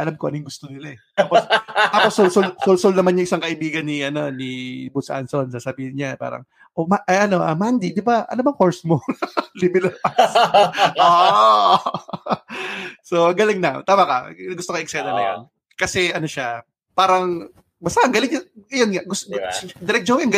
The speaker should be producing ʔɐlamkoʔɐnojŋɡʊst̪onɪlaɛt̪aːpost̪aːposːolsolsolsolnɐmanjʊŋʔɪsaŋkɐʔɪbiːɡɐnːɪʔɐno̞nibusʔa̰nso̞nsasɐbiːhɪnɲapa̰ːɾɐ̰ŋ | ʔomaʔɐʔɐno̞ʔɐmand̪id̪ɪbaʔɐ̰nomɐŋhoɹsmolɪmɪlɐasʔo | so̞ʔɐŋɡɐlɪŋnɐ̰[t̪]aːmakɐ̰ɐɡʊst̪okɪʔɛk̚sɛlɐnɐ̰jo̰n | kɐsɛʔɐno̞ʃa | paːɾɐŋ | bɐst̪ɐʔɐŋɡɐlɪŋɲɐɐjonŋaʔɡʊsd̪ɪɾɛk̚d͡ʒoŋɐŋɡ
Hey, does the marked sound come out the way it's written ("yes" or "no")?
yes